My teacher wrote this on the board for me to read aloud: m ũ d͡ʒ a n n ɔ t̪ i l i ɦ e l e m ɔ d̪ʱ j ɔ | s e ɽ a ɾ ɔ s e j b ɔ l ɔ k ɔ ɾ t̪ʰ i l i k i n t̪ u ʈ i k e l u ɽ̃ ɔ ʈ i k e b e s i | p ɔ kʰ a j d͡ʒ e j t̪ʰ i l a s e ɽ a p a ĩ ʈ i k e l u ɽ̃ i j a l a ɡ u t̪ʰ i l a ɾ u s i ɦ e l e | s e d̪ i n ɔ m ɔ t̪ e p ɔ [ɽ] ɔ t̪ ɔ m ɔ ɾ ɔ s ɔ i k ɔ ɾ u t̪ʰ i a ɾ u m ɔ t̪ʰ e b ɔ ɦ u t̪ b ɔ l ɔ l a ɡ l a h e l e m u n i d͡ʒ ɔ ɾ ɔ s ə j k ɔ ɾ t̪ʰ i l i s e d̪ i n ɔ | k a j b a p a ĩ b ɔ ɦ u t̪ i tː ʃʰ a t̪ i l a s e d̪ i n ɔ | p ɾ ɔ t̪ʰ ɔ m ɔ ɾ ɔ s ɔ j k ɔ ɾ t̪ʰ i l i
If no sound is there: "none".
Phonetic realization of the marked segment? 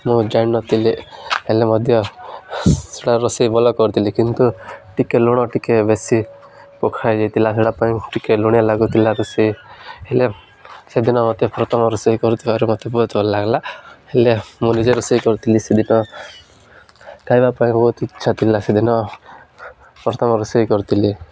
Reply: ɾ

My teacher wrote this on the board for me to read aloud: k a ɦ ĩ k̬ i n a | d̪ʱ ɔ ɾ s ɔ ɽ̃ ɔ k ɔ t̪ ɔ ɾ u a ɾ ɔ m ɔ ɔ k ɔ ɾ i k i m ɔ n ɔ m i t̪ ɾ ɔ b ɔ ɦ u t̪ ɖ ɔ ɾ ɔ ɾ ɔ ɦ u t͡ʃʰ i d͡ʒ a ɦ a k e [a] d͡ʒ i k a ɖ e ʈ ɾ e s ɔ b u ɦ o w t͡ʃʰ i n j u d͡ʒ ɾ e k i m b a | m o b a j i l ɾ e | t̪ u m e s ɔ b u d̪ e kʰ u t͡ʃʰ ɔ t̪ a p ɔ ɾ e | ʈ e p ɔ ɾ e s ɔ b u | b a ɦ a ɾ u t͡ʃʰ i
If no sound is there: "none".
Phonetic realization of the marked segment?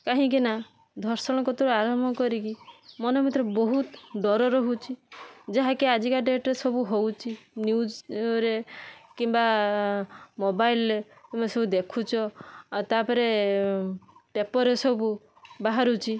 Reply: a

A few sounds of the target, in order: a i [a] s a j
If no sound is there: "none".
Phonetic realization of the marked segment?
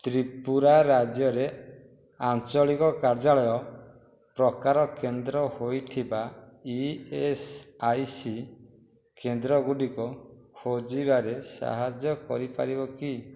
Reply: e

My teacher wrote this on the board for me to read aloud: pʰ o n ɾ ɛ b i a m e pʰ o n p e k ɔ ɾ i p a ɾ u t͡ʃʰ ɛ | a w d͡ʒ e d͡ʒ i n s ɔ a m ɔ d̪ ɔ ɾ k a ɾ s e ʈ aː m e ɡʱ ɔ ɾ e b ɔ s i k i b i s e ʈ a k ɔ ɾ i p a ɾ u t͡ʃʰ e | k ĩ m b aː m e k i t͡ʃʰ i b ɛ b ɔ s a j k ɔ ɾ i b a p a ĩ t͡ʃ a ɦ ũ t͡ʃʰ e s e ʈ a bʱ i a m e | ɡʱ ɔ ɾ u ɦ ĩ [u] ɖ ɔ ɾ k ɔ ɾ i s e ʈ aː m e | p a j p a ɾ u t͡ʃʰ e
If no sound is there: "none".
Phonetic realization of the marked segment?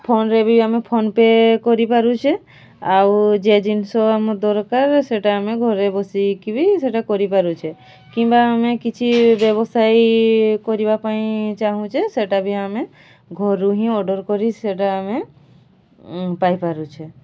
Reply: ɔ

